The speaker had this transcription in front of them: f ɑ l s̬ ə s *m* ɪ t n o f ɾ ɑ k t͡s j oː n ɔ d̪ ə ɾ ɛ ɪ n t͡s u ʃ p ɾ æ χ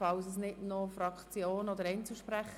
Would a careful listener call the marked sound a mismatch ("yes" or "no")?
yes